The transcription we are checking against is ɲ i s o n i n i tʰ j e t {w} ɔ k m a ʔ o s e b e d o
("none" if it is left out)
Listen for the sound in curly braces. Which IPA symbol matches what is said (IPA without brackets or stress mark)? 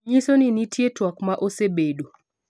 w